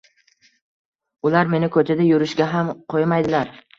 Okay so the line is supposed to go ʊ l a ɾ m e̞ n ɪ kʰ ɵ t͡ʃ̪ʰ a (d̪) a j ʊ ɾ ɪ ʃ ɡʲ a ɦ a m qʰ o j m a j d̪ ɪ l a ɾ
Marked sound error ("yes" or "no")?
no